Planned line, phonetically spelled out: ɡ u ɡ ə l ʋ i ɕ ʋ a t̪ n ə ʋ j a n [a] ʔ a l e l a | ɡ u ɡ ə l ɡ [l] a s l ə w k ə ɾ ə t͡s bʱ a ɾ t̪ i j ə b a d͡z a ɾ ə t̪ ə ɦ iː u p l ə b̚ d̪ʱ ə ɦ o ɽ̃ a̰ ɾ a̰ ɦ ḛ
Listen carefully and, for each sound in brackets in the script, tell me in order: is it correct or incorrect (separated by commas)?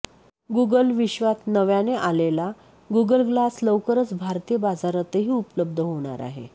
incorrect, correct